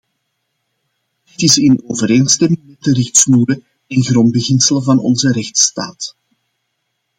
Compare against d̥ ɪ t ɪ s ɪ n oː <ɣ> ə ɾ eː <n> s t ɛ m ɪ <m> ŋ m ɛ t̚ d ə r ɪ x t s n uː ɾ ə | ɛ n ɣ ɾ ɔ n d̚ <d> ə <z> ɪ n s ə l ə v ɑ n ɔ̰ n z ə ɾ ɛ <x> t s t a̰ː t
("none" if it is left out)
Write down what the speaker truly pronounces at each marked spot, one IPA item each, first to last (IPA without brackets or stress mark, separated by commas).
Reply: v, n, none, b, ɣ, x